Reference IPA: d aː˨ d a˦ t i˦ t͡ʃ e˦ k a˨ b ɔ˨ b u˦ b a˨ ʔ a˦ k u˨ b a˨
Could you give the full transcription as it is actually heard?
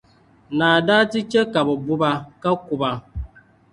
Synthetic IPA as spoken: n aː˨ d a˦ t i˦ t͡ʃ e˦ k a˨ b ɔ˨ b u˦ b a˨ k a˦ k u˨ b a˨